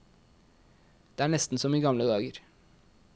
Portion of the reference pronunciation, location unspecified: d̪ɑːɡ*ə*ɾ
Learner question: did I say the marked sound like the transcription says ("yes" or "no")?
yes